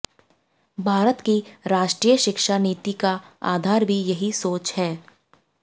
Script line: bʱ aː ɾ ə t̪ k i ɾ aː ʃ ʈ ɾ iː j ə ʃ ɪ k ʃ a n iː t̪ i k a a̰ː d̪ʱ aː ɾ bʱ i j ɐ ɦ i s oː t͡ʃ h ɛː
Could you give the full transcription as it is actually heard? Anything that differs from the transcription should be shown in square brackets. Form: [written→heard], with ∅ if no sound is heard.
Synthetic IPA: bʱ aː ɾ ə t̪ k i ɾ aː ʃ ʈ ɾ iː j ə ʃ ɪ k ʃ a n iː t̪ i k a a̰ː d̪ʱ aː ɾ bʱ i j ɐ ɦ i s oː t͡ʃ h ɛː